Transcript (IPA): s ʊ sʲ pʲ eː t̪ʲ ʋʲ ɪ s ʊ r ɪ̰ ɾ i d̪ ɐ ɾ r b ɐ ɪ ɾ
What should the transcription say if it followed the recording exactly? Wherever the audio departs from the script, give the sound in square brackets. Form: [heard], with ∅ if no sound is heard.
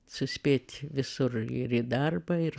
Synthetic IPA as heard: s ʊ sʲ pʲ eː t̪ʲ ʋʲ ɪ s ʊ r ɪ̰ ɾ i d̪ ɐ [∅] r b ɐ ɪ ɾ